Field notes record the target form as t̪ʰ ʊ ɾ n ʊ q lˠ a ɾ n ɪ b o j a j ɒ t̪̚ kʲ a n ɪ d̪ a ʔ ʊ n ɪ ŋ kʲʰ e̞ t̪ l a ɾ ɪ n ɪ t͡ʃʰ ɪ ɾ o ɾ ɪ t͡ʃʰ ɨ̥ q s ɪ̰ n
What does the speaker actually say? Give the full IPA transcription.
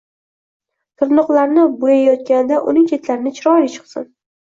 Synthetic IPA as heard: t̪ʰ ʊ ɾ n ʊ q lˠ a ɾ n ɪ b o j a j ɒ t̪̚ kʲ a n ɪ d̪ a ʔ ʊ n ɪ ŋ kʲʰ e̞ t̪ l a ɾ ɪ n ɪ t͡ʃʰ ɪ ɾ ɒ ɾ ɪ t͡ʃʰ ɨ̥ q s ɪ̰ n

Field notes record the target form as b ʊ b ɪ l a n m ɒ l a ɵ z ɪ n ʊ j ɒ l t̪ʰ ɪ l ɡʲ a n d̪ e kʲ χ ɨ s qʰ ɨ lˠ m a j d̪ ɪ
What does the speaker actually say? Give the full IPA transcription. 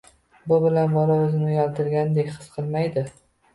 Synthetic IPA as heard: b ʊ b ɪ l a n b ɒ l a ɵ z ɪ n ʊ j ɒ l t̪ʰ ɪ ɾ ɡʲ a n d̪ e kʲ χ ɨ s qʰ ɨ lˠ m a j d̪ ɪ

